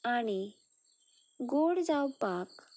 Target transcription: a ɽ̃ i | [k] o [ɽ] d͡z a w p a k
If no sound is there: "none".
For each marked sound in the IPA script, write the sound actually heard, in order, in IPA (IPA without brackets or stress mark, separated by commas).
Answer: ɡ, ɽ